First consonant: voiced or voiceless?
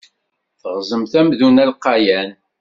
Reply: voiceless